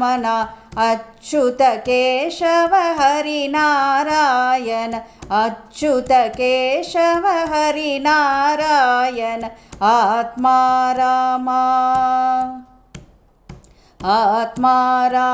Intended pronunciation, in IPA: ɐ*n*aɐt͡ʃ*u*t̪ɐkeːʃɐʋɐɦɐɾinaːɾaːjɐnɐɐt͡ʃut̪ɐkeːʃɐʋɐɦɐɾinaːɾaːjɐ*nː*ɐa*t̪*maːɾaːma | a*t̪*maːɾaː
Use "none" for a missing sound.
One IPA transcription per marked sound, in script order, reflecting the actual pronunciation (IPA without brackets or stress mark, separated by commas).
n, u, n, t̪, t̪